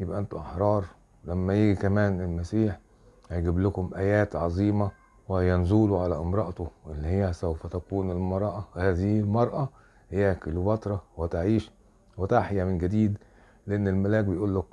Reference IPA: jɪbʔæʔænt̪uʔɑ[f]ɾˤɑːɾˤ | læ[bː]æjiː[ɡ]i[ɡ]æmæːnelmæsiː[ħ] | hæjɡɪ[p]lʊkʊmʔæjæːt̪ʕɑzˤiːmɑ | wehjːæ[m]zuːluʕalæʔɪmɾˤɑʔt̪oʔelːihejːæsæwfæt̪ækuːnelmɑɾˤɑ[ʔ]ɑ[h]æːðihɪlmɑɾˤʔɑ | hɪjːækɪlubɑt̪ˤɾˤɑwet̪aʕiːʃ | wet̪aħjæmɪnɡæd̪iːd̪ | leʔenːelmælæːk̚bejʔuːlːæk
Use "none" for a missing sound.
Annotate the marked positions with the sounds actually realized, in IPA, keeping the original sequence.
ħ, mː, ɡ, k, ħ, b, n, ʔ, h

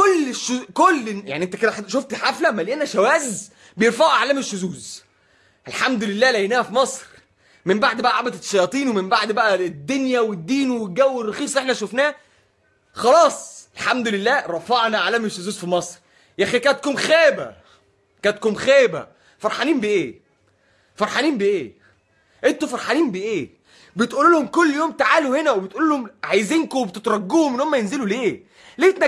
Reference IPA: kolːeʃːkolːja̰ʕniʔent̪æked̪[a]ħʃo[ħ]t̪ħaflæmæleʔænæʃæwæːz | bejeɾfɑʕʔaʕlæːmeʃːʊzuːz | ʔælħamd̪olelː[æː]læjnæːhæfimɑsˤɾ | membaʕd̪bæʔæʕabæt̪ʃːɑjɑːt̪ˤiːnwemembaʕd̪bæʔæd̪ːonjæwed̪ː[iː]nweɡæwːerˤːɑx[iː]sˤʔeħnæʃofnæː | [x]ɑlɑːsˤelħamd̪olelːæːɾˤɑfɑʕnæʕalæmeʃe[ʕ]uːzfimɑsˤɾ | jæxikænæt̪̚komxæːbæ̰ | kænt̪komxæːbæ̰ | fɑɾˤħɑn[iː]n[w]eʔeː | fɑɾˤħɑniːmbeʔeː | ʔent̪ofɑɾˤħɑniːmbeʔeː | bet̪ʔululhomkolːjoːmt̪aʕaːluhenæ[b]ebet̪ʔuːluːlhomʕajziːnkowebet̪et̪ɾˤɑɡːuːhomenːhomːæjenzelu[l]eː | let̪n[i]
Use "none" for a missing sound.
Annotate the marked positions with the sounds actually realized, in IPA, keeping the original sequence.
æ, f, æː, iː, iː, x, z, iː, b, w, l, æ

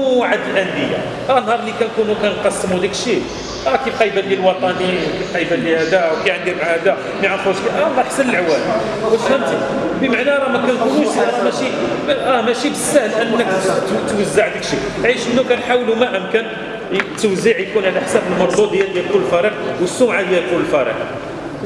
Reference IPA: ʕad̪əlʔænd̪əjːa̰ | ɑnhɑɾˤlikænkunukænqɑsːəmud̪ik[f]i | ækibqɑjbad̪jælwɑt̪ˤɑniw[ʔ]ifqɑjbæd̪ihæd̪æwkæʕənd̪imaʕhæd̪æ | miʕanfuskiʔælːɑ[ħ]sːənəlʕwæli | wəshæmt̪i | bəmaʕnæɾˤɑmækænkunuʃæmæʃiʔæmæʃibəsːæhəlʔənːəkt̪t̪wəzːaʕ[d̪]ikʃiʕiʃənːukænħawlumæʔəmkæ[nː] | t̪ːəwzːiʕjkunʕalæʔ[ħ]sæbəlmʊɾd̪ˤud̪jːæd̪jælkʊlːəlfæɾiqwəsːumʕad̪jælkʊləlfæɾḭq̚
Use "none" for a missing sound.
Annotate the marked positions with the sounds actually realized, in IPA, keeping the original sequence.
ʃ, k, ħ, d̪, n, ħ

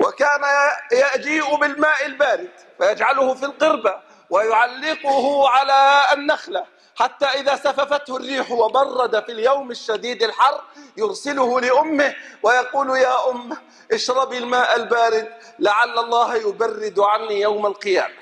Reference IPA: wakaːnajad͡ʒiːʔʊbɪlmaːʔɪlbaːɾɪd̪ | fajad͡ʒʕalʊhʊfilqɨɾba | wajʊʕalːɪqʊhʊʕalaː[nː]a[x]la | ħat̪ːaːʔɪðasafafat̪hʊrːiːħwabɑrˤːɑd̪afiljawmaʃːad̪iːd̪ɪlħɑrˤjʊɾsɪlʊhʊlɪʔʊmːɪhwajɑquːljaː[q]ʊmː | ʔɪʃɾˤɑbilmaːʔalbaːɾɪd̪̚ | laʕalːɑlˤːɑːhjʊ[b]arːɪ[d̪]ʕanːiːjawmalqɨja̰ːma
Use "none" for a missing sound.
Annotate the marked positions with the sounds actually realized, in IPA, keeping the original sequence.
nː, x, ʔ, b, d̪

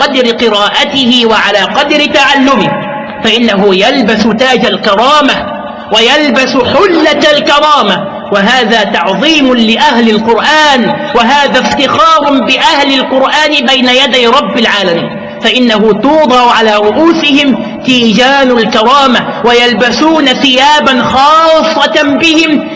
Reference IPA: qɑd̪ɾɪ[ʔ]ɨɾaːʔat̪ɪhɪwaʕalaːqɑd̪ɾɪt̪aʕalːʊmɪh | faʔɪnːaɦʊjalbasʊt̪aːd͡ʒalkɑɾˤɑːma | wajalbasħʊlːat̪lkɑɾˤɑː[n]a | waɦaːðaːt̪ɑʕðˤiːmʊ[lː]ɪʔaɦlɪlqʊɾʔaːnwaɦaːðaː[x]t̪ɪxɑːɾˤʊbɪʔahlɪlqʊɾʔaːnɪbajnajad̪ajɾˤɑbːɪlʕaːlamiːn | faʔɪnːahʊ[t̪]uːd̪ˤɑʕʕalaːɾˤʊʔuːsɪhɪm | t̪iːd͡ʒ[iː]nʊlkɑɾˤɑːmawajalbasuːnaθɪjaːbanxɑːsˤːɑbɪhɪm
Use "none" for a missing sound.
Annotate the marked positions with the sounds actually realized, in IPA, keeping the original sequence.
q, m, l, f, t̪, aː

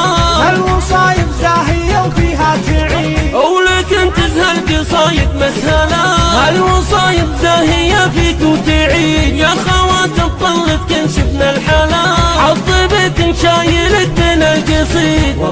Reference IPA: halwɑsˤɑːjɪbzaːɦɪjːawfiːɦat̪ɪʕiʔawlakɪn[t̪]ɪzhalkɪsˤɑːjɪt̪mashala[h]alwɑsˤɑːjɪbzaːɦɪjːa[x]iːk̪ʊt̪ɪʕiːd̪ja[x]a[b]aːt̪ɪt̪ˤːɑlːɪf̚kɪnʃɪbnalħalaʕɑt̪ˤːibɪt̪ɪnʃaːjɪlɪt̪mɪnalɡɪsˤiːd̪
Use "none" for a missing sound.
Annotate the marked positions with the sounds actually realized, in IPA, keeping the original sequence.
t̪, h, f, x, w

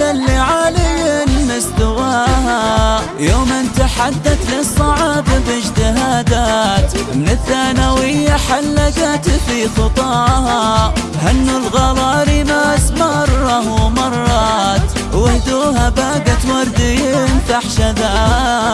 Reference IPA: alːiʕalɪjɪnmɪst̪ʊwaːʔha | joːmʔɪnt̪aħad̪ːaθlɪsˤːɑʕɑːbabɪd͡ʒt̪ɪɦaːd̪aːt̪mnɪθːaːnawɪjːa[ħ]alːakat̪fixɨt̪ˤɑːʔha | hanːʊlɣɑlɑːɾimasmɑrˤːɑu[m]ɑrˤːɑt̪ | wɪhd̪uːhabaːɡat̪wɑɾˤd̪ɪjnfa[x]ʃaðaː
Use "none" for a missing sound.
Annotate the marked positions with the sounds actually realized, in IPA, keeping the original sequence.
ħ, m, ħ

